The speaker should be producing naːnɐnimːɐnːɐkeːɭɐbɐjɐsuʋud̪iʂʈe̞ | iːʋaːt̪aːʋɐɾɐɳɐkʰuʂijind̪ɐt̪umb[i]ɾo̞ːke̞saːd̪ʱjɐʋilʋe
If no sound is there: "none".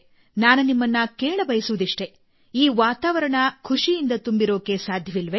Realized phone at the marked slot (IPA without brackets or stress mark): i